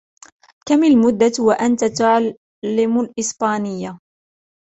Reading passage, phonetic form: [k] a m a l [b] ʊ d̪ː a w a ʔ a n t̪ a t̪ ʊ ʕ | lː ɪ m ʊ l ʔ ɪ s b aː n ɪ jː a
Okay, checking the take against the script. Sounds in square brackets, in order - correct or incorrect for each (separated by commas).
correct, incorrect